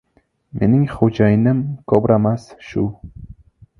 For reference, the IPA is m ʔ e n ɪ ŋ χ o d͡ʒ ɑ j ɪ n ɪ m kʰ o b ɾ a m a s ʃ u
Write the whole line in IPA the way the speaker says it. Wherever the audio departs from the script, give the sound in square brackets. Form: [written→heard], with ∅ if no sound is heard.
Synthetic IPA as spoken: m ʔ e n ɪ ŋ χ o d͡ʒ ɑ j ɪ n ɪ m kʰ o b ɾ a m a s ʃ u